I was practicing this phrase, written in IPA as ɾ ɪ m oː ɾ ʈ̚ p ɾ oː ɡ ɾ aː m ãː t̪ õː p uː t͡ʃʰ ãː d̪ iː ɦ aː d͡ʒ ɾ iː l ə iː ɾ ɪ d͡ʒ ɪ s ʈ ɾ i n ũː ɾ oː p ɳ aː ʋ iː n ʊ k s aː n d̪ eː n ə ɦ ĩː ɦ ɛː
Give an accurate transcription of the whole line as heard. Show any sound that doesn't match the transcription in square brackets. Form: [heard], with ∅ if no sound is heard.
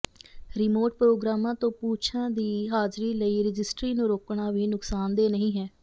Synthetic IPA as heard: ɾ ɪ m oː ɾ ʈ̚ p ɾ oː ɡ ɾ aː m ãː t̪ õː p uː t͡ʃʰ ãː d̪ iː ɦ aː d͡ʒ ɾ iː l ə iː ɾ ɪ d͡ʒ ɪ s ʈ ɾ [iː] n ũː ɾ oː [k] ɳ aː ʋ iː n ʊ k s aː n d̪ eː n ə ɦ ĩː ɦ ɛː